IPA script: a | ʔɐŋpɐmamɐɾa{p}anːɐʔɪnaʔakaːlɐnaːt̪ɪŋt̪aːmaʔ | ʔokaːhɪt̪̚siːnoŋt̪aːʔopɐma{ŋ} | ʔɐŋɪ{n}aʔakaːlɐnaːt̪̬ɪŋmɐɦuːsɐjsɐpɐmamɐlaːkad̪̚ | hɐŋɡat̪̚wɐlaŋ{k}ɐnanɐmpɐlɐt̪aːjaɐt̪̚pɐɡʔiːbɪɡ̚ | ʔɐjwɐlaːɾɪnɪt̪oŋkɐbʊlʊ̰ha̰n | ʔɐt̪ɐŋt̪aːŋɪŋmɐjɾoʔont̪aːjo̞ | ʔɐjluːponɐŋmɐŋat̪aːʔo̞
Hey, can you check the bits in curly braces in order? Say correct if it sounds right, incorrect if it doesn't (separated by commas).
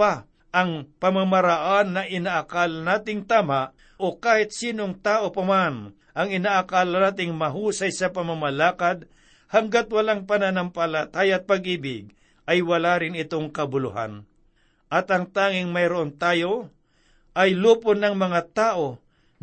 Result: incorrect, incorrect, correct, incorrect